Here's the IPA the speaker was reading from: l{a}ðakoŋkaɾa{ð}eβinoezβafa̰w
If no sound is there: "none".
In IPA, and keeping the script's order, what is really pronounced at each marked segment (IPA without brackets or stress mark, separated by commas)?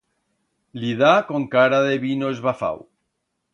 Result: i, ð